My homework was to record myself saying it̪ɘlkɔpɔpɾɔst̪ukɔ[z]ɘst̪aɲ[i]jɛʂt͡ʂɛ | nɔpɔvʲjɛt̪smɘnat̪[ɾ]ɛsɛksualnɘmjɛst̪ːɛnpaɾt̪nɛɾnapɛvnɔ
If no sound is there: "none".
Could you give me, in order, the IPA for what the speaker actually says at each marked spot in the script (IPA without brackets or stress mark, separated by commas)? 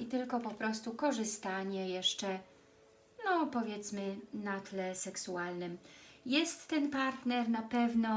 ʐ, ɛ, l